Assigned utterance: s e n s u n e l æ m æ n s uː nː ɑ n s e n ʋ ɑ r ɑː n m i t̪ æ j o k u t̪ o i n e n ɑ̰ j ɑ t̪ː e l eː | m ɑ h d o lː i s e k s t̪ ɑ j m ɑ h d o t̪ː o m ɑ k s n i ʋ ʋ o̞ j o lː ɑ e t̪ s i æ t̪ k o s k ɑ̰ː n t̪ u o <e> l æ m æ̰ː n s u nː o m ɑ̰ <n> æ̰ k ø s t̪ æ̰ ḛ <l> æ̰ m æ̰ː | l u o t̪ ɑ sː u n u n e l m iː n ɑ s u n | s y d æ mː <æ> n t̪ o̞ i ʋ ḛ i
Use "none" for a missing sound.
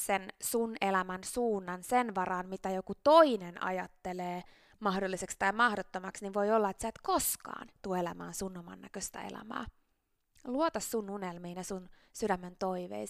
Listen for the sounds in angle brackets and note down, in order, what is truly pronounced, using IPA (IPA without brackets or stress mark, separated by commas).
e, nː, l, e